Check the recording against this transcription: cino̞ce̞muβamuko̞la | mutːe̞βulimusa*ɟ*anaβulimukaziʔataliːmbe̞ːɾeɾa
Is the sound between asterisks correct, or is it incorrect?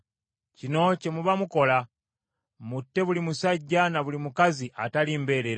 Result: incorrect: ɟː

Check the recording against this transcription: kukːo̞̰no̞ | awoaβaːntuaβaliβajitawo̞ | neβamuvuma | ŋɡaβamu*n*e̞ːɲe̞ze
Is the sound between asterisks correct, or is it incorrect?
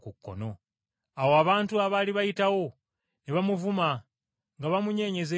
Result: incorrect: ɲ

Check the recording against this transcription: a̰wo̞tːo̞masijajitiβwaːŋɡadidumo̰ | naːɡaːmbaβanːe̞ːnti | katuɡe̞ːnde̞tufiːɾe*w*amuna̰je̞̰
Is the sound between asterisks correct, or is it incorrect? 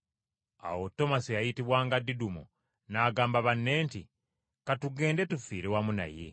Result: correct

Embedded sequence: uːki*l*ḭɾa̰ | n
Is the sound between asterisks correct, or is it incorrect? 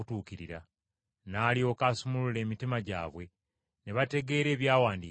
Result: incorrect: ɾ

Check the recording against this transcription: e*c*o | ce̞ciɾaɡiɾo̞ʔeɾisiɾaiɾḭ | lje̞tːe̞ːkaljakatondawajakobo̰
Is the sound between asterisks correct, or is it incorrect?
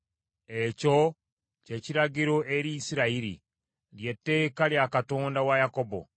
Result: correct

